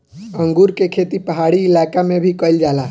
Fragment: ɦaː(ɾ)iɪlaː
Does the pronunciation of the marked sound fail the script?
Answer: yes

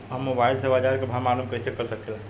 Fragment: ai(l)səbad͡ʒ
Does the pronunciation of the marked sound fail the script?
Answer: no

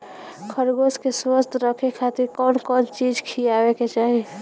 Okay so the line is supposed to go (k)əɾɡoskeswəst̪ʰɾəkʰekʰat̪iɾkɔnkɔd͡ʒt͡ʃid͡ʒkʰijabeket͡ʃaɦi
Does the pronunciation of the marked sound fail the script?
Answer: yes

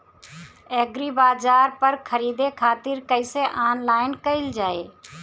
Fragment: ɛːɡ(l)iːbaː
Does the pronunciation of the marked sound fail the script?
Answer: yes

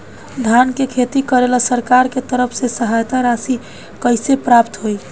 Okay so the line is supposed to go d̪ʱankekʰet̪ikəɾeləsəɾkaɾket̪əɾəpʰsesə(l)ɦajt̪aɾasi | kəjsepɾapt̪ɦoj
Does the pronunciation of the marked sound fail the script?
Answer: yes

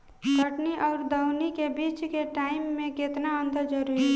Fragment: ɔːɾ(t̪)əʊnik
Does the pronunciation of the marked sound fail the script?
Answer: yes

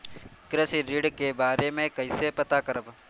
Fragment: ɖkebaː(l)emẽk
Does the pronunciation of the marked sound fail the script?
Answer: yes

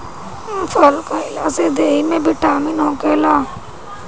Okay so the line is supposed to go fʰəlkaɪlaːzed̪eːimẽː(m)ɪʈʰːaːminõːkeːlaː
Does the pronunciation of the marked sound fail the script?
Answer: yes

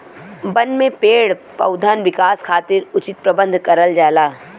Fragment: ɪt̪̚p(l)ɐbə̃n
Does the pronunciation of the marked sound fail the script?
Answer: yes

